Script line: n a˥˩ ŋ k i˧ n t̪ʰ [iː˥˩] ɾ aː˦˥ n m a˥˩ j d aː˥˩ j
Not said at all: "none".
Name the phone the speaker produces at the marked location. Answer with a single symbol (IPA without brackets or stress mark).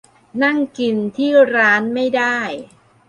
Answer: iː˥˩